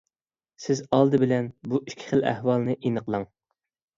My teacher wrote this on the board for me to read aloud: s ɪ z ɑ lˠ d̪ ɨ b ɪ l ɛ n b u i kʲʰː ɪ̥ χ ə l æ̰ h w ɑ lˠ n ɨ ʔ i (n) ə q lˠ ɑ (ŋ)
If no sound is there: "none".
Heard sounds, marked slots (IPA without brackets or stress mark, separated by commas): n, ŋ